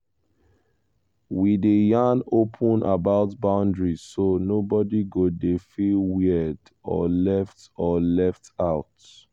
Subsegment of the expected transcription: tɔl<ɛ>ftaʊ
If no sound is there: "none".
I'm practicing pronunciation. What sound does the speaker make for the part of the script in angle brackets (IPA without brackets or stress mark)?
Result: ɛ